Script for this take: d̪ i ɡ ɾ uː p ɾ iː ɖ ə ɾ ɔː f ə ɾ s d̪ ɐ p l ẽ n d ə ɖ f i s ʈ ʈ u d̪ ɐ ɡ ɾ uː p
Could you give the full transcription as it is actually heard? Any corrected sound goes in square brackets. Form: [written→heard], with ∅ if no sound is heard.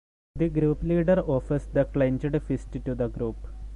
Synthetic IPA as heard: d̪ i ɡ ɾ uː p [ɾ→l] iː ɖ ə ɾ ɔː f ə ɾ s d̪ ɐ [p→k] l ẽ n [d→d͡ʒ] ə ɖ f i s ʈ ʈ u d̪ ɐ ɡ ɾ uː p